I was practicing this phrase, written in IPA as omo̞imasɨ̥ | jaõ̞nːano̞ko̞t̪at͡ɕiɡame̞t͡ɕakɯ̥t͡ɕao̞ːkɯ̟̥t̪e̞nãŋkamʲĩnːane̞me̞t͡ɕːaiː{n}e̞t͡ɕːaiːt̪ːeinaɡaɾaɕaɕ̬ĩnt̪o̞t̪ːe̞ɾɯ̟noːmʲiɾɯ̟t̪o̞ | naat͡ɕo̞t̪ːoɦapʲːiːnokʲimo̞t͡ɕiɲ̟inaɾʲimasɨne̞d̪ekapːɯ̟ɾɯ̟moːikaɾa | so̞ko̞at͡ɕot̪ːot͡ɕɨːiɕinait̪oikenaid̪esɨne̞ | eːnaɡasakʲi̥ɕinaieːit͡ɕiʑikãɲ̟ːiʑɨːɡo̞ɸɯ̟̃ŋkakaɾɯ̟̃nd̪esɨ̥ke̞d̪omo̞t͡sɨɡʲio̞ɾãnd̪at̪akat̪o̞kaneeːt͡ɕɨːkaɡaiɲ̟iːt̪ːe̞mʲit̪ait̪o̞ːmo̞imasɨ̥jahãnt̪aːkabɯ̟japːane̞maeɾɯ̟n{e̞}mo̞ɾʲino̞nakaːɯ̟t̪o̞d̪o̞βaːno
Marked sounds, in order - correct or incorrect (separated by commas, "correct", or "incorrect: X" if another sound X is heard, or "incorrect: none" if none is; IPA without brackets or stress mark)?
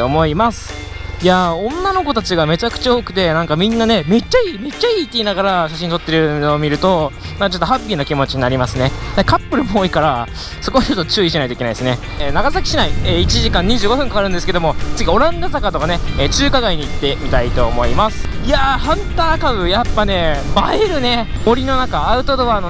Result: incorrect: m, correct